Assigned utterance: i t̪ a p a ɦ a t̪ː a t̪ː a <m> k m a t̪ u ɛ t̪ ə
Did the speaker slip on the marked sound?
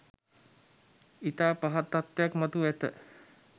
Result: yes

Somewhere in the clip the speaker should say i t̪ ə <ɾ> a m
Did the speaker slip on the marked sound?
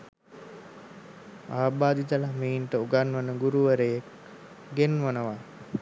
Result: yes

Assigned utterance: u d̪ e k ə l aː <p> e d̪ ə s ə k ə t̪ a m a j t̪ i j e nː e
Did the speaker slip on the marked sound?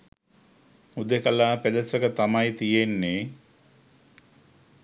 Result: no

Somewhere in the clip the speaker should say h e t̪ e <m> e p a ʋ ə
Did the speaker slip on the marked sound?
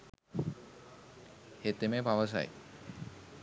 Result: no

